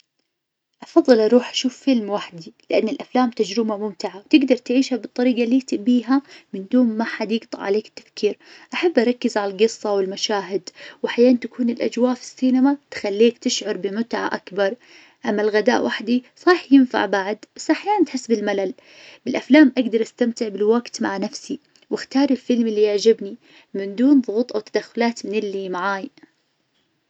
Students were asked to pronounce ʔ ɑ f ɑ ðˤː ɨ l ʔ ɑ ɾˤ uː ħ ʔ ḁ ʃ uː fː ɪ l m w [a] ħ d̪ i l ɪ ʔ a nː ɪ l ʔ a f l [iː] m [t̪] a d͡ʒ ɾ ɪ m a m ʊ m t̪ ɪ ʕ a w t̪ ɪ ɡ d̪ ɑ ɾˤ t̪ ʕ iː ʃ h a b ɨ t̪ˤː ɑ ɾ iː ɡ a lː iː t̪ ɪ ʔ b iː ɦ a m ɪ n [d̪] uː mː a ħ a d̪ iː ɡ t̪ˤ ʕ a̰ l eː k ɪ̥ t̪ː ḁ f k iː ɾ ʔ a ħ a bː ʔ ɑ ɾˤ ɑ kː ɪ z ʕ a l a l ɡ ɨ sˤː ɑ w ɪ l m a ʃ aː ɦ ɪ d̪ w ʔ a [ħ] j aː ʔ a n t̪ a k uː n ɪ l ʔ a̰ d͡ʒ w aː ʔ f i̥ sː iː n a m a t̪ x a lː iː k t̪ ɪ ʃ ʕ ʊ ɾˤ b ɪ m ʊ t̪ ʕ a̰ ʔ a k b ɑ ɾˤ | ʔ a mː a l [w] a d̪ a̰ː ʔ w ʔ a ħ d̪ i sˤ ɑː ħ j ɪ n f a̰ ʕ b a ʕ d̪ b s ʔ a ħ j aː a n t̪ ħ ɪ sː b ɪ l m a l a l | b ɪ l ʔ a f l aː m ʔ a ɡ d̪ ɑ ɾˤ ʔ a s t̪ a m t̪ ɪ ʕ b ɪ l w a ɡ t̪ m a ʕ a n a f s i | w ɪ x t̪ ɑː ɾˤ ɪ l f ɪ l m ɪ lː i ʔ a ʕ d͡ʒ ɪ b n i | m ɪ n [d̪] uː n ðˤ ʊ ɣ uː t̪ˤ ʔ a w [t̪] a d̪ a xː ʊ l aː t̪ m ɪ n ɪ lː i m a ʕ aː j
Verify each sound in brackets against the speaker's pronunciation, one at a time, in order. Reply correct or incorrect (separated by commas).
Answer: correct, incorrect, correct, correct, correct, incorrect, correct, correct